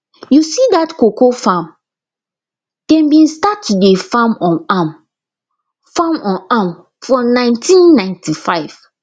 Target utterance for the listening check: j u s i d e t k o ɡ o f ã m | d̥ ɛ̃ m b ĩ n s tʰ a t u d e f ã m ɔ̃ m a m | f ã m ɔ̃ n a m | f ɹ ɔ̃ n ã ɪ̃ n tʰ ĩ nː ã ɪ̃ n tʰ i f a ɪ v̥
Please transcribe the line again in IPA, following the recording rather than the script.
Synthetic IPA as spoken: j u s i d a t k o k o f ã m | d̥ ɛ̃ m b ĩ n s t a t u d e f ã m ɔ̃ n a m | f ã m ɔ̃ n a m | f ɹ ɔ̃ n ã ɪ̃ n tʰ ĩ nː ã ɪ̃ n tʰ i f a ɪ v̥